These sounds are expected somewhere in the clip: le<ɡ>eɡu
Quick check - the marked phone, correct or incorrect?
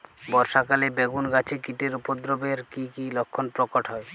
incorrect: b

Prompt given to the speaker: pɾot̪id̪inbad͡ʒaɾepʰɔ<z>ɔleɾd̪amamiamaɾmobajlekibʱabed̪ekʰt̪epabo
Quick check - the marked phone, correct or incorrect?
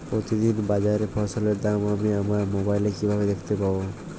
incorrect: s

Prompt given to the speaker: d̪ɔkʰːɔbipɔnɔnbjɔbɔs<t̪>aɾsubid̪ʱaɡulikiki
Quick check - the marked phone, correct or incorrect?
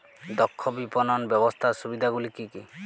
incorrect: t̪ʰ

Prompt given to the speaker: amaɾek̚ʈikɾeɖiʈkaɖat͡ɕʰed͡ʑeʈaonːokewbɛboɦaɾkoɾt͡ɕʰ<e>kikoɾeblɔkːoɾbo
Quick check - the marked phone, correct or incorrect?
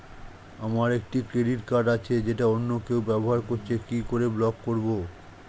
correct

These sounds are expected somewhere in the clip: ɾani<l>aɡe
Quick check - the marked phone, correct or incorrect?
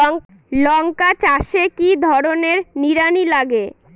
correct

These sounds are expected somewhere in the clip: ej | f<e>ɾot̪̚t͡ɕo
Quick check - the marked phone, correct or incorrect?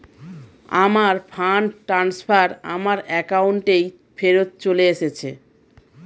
correct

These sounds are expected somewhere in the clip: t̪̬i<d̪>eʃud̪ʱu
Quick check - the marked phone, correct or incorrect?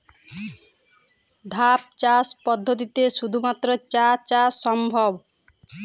incorrect: t̪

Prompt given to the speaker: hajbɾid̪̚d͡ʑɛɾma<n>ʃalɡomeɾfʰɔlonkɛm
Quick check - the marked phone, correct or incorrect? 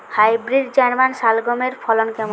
correct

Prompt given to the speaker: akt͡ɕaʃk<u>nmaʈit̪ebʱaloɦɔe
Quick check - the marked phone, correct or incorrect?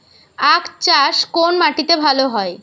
incorrect: o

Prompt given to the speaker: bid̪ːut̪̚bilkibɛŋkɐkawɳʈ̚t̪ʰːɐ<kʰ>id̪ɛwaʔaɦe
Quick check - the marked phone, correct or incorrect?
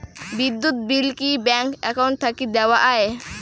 incorrect: k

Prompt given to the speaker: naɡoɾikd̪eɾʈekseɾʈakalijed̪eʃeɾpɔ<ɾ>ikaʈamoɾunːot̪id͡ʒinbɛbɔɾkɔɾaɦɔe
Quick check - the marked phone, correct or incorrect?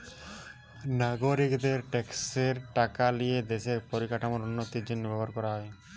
correct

